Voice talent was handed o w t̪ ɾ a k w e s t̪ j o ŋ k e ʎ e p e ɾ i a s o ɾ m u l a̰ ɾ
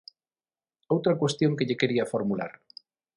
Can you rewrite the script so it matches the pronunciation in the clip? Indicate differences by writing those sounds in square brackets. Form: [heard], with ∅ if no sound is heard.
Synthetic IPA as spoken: o w t̪ ɾ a k w e s t̪ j o ŋ k e ʎ e [k] e ɾ i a [f] o ɾ m u l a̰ ɾ